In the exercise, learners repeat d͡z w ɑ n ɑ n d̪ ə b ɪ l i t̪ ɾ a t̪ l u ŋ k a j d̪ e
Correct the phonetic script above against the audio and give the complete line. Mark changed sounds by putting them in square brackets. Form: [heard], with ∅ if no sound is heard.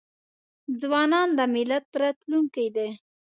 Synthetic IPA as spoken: d͡z w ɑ n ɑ n d̪ ə [m] ɪ l [a] t̪ ɾ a t̪ l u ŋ k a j d̪ e